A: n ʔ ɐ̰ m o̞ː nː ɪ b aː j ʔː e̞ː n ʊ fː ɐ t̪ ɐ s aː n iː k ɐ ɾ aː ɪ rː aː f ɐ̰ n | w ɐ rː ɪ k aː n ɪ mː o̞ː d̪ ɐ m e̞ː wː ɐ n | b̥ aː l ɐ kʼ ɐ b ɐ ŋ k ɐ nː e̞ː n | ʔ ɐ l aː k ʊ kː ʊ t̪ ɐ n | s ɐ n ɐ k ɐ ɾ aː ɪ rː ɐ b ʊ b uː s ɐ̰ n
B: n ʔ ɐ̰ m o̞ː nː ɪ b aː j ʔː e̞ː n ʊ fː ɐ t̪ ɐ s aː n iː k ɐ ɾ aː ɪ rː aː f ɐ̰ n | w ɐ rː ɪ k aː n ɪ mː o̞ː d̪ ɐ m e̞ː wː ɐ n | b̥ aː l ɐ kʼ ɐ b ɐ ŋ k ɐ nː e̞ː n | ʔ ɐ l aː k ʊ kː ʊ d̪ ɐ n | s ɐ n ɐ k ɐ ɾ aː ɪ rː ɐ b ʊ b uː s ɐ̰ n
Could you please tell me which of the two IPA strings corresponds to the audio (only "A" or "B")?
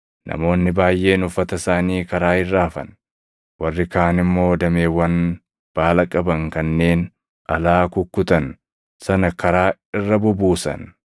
A